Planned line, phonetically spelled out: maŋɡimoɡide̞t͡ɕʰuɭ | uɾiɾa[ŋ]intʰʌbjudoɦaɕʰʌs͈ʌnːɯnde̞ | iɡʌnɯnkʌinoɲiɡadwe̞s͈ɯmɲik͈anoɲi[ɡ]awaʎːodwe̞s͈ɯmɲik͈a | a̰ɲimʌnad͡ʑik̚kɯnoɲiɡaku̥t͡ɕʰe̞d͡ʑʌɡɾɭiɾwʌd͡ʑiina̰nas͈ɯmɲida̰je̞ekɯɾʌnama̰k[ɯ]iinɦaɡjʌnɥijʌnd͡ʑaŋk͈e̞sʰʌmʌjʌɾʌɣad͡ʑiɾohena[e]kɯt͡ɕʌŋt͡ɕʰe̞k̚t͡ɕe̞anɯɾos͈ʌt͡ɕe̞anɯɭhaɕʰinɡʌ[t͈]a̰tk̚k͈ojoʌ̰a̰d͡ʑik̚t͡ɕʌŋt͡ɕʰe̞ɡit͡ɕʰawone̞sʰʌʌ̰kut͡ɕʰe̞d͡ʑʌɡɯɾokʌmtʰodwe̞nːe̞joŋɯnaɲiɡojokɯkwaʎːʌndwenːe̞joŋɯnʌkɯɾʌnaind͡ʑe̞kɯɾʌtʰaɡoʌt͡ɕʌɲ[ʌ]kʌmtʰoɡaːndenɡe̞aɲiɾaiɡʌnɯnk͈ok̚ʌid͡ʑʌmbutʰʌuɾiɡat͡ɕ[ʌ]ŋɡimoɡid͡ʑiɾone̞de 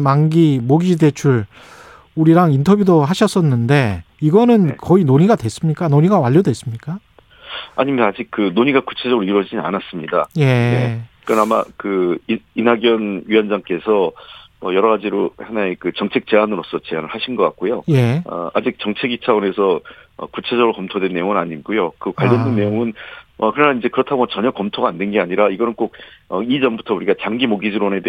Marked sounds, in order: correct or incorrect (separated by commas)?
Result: correct, correct, correct, correct, incorrect, correct, incorrect